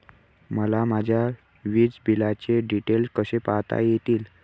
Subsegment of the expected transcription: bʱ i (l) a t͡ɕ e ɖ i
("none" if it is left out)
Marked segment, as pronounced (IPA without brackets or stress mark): l